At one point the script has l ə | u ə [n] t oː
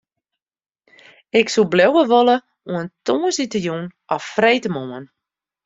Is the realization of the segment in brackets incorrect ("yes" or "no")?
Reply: no